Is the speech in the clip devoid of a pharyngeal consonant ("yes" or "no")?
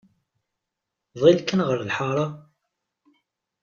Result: no